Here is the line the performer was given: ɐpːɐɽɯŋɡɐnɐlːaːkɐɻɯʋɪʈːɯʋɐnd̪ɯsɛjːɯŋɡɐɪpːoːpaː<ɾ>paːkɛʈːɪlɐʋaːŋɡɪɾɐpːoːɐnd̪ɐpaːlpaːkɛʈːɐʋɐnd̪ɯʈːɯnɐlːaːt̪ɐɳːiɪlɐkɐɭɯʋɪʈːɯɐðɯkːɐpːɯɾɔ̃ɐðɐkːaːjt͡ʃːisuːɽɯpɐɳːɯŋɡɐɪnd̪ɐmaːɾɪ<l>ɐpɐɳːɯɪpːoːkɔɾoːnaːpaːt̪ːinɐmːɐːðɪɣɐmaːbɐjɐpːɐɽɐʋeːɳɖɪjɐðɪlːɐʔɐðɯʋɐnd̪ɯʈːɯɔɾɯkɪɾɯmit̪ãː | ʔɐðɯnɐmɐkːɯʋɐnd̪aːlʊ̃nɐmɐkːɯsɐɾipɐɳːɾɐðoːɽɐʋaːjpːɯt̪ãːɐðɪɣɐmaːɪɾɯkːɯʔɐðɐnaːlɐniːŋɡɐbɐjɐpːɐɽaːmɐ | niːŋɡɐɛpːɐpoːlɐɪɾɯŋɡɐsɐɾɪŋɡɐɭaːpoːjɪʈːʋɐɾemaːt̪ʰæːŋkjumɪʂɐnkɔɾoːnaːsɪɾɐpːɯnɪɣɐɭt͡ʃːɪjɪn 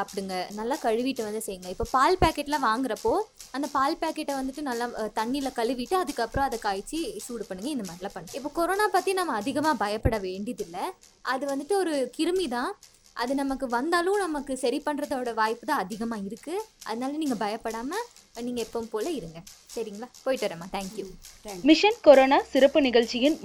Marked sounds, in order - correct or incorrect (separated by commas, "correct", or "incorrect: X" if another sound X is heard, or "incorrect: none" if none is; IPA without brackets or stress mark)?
incorrect: l, correct